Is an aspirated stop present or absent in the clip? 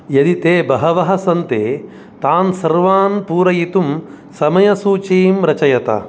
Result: absent